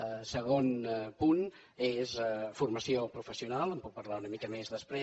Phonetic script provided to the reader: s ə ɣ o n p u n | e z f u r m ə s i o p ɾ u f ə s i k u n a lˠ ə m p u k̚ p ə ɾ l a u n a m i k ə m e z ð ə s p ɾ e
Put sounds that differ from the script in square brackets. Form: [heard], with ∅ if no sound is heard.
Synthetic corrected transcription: s ə ɣ o n p u n | e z f u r m ə s i o p ɾ u f ə s i [∅] u n a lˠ ə m p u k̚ p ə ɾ l a u n [ə] m i k ə m e z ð ə s p ɾ e